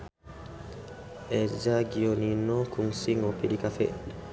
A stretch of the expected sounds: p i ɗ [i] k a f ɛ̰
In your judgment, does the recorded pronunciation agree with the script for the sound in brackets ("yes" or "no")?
yes